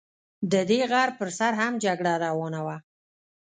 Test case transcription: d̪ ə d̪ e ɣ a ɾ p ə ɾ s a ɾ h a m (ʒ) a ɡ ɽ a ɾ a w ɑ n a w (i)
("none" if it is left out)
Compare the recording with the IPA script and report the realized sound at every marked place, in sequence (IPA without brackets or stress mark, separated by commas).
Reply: d͡ʒ, a